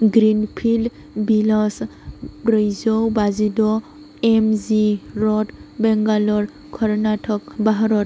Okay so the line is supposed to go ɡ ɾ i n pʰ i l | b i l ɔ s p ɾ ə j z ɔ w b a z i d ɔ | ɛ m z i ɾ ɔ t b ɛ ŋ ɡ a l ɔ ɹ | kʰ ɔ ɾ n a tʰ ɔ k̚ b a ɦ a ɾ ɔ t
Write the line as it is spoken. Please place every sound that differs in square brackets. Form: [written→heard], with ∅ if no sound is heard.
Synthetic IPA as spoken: ɡ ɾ i n pʰ i l | b i l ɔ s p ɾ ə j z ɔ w b a z i d ɔ | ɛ m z i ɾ ɔ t b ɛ ŋ ɡ a l ɔ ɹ | kʰ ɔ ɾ n a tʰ ɔ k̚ b a ɦ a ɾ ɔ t